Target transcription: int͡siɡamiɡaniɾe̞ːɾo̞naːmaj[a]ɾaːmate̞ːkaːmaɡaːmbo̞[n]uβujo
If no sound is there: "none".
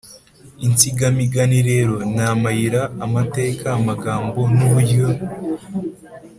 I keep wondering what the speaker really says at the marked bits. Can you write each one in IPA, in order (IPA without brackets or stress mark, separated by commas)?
i, n